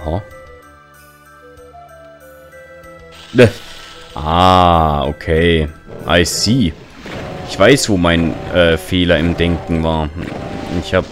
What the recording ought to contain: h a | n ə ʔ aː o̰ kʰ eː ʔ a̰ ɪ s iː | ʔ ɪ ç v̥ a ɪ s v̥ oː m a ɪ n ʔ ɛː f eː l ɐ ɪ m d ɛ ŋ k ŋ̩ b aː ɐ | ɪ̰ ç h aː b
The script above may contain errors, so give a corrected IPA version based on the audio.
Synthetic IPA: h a | n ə ʔ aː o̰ kʰ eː ʔ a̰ ɪ s iː | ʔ ɪ ç v̥ a ɪ s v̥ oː m a ɪ n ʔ ɛː f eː l ɐ ɪ m d ɛ ŋ k ŋ̩ v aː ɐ | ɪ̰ ç h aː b